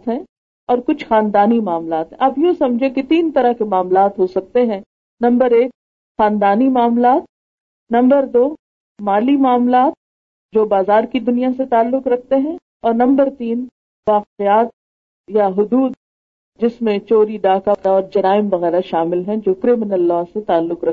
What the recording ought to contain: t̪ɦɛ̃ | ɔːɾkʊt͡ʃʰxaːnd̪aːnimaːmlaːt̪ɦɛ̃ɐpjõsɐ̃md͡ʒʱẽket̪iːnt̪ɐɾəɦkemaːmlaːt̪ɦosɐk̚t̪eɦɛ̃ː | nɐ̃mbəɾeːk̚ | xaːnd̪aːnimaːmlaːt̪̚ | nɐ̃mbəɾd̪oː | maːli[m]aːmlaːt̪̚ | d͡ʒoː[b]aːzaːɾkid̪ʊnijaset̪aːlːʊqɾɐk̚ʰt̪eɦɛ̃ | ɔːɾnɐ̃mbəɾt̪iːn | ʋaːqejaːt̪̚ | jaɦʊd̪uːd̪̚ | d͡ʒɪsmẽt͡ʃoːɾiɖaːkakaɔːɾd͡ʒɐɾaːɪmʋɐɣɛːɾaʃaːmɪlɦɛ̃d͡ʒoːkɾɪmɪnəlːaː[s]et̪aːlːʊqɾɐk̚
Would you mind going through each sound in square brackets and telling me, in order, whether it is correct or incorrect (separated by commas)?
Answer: correct, correct, correct